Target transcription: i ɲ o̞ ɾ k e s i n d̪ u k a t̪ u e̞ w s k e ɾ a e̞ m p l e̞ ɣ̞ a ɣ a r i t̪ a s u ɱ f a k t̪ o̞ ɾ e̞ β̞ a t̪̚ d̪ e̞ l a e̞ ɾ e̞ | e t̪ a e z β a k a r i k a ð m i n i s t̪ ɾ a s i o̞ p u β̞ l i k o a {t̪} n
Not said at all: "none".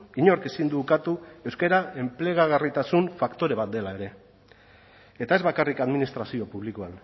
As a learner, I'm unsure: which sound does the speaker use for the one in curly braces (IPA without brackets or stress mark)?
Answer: none